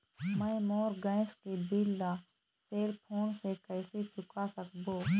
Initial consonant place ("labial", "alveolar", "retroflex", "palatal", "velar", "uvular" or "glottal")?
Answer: labial